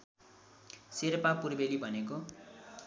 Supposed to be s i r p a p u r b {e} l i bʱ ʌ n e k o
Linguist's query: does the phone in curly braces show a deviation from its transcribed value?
no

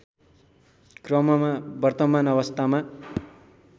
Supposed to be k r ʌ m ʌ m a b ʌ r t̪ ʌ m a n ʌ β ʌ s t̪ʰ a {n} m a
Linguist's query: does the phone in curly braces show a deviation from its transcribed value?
yes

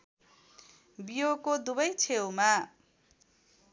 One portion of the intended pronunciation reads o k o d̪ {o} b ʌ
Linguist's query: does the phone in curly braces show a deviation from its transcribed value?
yes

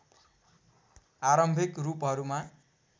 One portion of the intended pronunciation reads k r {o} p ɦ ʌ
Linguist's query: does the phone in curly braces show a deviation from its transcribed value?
yes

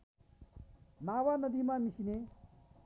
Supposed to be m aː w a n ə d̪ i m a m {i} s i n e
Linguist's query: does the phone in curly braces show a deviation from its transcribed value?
no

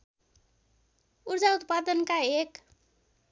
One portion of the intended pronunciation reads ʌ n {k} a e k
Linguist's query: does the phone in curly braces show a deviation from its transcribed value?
no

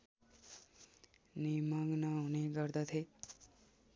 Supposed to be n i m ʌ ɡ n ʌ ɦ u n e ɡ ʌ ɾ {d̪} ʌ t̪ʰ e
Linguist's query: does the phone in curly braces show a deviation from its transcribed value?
no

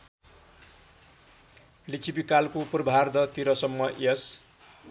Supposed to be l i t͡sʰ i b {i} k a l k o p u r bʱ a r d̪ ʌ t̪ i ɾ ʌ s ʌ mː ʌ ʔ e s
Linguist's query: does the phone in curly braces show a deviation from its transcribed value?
no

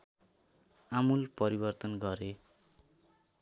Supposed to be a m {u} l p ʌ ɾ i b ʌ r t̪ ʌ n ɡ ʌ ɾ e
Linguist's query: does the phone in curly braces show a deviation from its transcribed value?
no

